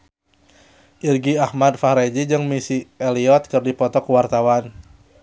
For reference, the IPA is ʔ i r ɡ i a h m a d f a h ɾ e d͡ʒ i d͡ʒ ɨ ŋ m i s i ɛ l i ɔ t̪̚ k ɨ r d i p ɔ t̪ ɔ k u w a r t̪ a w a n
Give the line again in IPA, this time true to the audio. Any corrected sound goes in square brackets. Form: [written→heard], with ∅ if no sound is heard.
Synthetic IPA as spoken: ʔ i r ɡ i a h m a d f a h ɾ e d͡ʒ i d͡ʒ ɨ ŋ m i s i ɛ l i ɔ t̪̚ k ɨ r d i p ɔ t̪ ɔ k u w a r t̪ a w a n